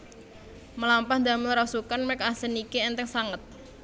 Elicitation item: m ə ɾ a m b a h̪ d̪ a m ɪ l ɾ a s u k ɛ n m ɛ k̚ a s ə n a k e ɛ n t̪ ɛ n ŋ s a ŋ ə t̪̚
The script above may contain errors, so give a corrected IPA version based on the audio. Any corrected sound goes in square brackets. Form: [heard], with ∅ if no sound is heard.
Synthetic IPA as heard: m ə [l] a m [p] a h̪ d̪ a m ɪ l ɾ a s u k [a] n m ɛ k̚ a s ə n [i] k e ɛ n t̪ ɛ [∅] ŋ s a ŋ ə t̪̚